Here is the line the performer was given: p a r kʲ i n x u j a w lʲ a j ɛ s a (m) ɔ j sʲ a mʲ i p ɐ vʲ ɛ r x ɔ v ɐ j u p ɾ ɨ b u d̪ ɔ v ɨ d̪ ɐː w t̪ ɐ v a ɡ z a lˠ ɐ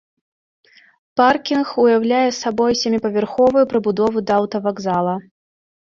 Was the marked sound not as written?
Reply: yes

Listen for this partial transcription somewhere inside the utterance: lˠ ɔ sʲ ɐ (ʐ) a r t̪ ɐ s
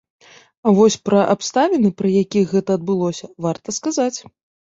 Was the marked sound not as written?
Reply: yes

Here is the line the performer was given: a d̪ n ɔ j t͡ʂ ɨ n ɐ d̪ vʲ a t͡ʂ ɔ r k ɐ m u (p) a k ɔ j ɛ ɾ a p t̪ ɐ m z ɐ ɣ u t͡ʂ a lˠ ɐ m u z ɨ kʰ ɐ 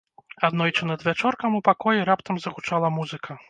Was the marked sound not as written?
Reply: no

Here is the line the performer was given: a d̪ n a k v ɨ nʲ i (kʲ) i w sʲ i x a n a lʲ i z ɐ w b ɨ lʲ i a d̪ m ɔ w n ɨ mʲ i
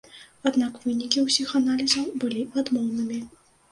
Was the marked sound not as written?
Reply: no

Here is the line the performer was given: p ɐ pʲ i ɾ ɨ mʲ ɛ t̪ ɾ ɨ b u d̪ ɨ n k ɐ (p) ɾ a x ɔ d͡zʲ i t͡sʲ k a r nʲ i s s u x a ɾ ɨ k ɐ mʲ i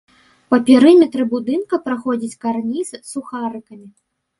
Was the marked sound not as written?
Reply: no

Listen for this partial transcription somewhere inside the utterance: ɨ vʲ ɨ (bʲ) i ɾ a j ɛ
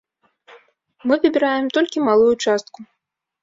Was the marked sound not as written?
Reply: no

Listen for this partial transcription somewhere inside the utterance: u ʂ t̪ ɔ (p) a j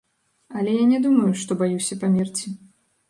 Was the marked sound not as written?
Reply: yes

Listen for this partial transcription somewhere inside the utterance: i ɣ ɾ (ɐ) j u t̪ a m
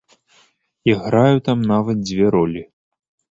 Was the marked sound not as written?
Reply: yes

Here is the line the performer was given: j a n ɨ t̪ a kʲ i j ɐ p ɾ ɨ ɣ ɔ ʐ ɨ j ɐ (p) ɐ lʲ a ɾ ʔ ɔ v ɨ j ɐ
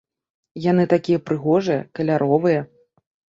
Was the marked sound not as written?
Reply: yes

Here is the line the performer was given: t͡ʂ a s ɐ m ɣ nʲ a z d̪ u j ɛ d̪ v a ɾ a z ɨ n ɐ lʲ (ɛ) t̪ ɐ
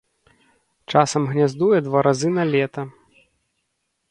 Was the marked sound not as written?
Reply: no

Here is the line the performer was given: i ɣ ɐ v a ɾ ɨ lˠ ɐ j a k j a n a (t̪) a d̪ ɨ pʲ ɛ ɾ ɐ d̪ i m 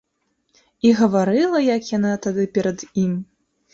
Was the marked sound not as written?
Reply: no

